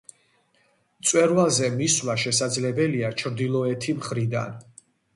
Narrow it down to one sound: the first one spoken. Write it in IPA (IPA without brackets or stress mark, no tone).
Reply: t̪